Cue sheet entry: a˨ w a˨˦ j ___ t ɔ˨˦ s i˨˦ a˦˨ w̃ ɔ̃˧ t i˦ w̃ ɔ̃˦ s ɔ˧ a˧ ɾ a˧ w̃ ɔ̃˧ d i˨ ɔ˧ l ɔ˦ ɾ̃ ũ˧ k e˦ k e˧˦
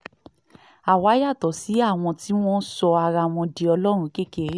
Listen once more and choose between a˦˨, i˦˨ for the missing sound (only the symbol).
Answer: a˦˨